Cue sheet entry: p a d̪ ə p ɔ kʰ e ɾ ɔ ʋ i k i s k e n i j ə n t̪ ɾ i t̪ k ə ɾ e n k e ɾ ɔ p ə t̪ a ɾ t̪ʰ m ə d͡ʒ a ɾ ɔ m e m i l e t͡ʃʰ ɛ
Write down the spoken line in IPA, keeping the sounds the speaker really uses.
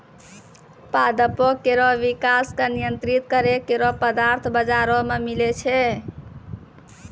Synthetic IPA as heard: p a d̪ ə p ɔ k e ɾ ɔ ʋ i k a s k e n i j ə n t̪ ɾ i t̪ k ə ɾ e k e ɾ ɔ p ə d̪ a ɾ t̪ʰ b ə d͡ʒ a ɾ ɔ m e m i l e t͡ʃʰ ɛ